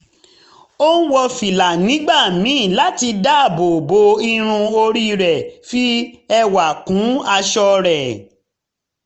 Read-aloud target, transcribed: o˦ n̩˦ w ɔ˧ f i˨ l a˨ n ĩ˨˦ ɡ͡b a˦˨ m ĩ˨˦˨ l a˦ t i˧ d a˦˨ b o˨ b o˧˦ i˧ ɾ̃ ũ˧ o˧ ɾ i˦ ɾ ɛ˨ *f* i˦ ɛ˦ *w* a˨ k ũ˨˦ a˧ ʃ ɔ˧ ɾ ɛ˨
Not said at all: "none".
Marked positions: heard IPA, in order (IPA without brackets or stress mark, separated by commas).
f, w